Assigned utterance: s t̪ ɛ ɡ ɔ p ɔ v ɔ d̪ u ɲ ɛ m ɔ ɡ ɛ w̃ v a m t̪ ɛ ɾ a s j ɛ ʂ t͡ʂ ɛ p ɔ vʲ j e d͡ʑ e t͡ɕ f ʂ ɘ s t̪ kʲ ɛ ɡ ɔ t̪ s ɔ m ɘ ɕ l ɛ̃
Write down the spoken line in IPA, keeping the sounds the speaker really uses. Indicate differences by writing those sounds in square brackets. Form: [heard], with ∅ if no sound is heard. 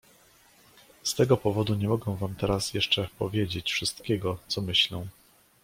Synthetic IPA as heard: s t̪ ɛ ɡ ɔ p ɔ v ɔ d̪ u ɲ ɛ m ɔ ɡ ɛ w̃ v a m t̪ ɛ ɾ a s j ɛ ʂ t͡ʂ ɛ p ɔ vʲ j e d͡ʑ e t͡ɕ f ʂ ɘ s t̪ kʲ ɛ ɡ ɔ t̪ s ɔ m ɘ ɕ l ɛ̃